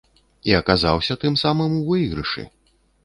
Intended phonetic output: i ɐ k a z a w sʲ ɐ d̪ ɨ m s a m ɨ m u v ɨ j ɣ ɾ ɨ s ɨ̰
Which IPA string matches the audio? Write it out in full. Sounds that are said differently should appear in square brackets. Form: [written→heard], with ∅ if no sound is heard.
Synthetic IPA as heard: i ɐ k a z a w sʲ ɐ [d̪→t̪] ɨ m s a m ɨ m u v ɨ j ɣ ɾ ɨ [s→ʂ] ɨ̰